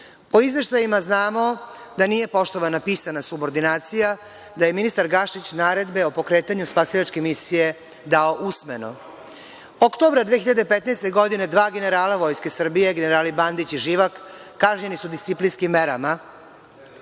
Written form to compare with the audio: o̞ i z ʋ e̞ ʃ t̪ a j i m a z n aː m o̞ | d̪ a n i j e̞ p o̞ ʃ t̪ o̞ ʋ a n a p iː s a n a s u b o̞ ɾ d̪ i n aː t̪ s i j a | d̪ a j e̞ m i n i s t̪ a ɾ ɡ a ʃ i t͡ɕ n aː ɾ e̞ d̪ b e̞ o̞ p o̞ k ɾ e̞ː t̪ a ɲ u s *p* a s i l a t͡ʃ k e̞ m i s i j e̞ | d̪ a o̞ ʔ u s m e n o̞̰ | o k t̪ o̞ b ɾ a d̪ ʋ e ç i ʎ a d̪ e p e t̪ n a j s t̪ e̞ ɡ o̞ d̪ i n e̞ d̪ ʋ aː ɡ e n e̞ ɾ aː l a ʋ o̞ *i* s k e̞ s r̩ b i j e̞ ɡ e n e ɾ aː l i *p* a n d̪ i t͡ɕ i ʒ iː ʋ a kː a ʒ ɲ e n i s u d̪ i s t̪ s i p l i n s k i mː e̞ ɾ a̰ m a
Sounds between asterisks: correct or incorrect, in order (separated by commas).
correct, incorrect, incorrect